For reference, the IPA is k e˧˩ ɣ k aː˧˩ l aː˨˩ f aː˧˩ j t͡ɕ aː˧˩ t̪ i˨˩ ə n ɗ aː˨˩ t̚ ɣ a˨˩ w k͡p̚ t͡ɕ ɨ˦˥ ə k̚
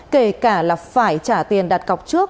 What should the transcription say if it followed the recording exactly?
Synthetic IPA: k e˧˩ k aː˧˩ l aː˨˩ f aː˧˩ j t͡ɕ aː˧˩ t̪ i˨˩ ə n ɗ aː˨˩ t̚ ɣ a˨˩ w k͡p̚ t͡ɕ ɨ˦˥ ə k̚